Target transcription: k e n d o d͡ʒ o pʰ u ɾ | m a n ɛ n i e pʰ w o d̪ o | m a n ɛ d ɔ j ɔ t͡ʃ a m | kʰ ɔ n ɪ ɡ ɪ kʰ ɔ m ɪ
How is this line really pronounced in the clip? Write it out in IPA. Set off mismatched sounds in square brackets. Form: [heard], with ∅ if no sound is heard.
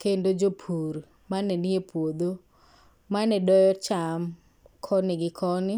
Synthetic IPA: k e n d o d͡ʒ o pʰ u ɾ | m a n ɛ n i e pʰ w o d̪ o | m a n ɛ d ɔ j ɔ t͡ʃ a m | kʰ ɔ n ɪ ɡ ɪ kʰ ɔ [n] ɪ

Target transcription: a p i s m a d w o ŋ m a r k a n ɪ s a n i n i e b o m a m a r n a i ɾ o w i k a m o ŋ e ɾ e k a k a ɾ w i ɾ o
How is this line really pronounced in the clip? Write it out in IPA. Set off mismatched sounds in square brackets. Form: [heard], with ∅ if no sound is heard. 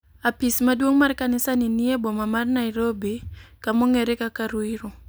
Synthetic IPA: a p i s m a d w o ŋ m a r k a n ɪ s a n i n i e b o m a m a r n a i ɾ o [b] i k a m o ŋ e ɾ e k a k a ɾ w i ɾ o

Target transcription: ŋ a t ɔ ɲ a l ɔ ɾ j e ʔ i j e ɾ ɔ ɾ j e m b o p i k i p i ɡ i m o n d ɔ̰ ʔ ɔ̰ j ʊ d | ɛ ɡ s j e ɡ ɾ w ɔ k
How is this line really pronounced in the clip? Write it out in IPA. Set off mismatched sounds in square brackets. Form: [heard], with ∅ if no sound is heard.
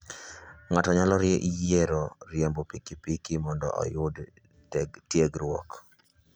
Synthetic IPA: ŋ a t ɔ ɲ a l ɔ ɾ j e ʔ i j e ɾ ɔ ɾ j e m b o p i k i p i [k] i m [ɔ] n d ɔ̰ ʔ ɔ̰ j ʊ d | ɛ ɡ [t] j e ɡ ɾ w ɔ k

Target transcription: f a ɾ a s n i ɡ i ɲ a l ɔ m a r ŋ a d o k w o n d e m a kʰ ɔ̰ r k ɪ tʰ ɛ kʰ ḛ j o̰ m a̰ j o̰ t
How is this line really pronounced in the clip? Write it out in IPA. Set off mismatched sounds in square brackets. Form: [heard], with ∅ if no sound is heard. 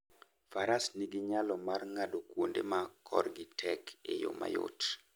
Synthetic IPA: f a ɾ a s n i ɡ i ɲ a l ɔ m a r ŋ a d o k w o n d e m a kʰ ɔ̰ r [ɡ] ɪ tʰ ɛ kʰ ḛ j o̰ m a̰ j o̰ t

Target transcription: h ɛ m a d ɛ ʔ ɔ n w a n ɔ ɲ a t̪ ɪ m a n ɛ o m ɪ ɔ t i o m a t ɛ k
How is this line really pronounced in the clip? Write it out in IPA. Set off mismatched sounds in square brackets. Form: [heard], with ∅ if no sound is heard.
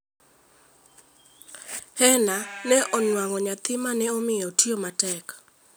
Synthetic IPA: h ɛ [n] a [n] ɛ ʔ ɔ n w a [ŋ] ɔ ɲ a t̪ ɪ m a n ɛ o m ɪ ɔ t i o m a t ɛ k

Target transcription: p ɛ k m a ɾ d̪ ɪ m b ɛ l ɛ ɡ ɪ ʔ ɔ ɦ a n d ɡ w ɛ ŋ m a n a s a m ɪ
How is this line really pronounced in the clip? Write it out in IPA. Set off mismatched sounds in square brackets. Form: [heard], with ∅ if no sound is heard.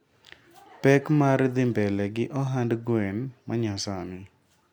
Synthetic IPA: p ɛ k m a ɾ d̪ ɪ m b ɛ l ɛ ɡ ɪ ʔ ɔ ɦ a n d ɡ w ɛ [n] m a [ɲ] a s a m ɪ

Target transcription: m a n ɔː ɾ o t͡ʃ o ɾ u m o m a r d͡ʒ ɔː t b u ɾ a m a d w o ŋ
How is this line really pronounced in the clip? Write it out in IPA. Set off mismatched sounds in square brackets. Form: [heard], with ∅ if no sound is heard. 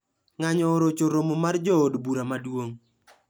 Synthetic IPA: [ŋ] a [ɲ] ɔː ɾ o t͡ʃ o ɾ [o] m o m a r d͡ʒ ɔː [d] b u ɾ a m a d w o ŋ

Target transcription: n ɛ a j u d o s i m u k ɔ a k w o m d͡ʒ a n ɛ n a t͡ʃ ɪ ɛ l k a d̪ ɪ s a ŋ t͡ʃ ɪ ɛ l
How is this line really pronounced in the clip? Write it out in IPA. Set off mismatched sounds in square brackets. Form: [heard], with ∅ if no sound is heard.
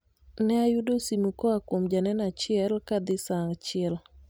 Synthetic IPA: n ɛ a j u d o s i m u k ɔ a k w o m d͡ʒ a n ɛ n a t͡ʃ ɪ ɛ l k a d̪ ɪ s a ŋ t͡ʃ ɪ ɛ l

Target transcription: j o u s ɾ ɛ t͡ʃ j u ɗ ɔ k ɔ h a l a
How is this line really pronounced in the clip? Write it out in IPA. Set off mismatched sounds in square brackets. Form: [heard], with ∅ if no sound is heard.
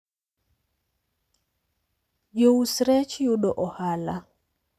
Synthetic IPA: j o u s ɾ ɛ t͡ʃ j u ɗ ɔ [ʔ] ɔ h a l a

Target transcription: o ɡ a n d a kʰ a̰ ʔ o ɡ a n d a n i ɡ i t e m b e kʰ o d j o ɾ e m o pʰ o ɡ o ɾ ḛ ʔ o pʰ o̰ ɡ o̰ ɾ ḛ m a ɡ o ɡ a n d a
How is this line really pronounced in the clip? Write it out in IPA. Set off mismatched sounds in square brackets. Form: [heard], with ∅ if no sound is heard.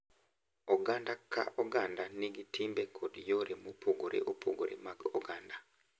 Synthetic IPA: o ɡ a n d a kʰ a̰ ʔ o ɡ a n d a n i ɡ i t [i] m b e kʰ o d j o ɾ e m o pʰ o ɡ o ɾ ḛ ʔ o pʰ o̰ ɡ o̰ ɾ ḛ m a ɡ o ɡ a n d a

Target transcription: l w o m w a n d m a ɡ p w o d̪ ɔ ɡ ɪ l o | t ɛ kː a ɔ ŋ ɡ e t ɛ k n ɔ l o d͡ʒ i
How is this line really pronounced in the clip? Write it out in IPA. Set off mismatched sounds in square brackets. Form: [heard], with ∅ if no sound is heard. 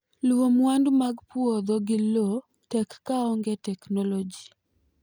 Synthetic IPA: l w o m w a n d m a ɡ p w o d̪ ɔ ɡ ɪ l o | t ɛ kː a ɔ ŋ ɡ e t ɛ k n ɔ l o d͡ʒ i

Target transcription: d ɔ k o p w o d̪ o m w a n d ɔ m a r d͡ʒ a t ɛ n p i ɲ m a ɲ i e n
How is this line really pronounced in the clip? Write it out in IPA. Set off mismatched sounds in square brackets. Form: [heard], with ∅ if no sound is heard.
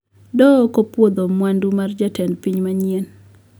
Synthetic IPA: d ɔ k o p w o d̪ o m w a n d [u] m a r d͡ʒ a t ɛ n p i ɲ m a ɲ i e n

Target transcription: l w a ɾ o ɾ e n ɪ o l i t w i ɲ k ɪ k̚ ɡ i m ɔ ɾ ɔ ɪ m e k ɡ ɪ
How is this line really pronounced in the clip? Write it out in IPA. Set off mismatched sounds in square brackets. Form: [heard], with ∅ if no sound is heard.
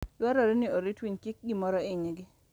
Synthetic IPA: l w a ɾ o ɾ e n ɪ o [ɾ] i t w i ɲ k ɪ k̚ ɡ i m ɔ ɾ ɔ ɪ [ɲ] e [∅] ɡ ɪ

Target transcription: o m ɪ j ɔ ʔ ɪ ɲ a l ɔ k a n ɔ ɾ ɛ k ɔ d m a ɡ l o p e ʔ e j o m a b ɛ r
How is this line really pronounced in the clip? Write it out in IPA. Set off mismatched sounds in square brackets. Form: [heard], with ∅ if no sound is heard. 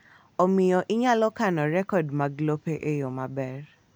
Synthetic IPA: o m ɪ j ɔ ʔ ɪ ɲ a l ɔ k a n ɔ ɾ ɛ k ɔ d m a ɡ l o p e ʔ e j o m a b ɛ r

